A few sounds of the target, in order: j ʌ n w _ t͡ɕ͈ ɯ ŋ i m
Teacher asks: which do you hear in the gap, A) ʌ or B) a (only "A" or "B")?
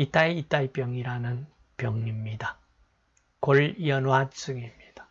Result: B